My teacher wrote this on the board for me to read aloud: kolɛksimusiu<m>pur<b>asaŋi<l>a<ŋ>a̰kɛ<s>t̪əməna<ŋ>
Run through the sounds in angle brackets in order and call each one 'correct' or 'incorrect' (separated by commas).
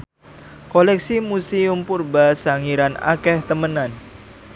correct, correct, incorrect, incorrect, incorrect, incorrect